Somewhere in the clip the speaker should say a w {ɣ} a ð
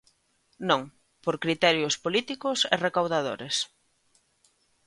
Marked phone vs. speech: incorrect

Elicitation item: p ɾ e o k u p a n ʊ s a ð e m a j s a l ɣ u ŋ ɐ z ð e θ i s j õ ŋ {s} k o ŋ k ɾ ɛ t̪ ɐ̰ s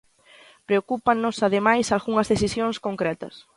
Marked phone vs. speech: correct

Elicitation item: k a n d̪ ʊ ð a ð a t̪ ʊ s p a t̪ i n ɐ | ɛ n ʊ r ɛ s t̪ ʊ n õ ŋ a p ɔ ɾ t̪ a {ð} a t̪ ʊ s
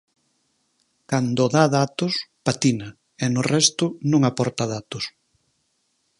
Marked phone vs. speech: correct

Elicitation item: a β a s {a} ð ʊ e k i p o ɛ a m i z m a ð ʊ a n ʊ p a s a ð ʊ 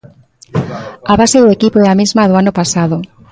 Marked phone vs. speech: incorrect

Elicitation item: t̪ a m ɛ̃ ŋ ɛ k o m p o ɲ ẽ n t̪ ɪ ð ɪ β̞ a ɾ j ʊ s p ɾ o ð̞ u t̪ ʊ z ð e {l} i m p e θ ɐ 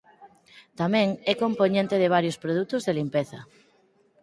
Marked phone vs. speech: correct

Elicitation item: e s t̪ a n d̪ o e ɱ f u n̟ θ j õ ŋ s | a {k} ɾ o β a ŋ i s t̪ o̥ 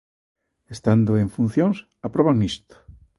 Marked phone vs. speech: incorrect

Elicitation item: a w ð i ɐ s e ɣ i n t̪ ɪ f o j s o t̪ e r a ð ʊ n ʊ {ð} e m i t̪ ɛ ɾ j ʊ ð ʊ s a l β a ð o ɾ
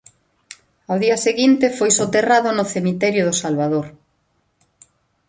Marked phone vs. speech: incorrect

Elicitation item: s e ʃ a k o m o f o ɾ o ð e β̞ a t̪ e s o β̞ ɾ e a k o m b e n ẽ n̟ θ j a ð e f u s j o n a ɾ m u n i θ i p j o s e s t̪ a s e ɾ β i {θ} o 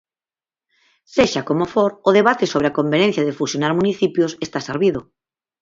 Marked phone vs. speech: incorrect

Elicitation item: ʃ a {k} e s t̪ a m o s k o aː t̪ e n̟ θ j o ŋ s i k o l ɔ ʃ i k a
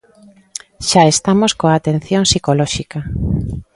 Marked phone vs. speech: incorrect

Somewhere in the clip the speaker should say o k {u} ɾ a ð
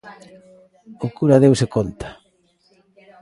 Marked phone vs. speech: correct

